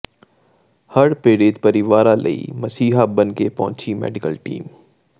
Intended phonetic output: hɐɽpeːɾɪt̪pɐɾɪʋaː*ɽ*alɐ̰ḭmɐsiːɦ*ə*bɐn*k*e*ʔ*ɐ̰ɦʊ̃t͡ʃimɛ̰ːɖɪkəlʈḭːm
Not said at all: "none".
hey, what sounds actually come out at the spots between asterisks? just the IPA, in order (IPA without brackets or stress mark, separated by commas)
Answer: ɾ, a, k, p